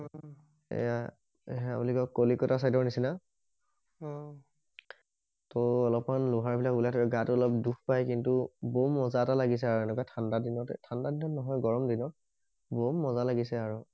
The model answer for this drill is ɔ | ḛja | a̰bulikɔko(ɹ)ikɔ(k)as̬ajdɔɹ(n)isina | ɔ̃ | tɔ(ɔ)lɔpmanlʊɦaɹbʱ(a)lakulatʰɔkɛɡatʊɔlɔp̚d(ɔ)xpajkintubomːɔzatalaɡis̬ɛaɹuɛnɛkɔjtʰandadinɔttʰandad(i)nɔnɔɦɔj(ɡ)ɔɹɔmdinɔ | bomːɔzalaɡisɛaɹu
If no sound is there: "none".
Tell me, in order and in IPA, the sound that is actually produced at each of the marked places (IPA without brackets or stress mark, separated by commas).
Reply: l, t, n, ɔ, i, u, i, ɡ